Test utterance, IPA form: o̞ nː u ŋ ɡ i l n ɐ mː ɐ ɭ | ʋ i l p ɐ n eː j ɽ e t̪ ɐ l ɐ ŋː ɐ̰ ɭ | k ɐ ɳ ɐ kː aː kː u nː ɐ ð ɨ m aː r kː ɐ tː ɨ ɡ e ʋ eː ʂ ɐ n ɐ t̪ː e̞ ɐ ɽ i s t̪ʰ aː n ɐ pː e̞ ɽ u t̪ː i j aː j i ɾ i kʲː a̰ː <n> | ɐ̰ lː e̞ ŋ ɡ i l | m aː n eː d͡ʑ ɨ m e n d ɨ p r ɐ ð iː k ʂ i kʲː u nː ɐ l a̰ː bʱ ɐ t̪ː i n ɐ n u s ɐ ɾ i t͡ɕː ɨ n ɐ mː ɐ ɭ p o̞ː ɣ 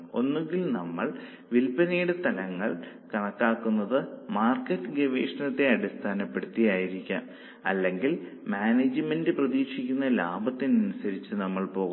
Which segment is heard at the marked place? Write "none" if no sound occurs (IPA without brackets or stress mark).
m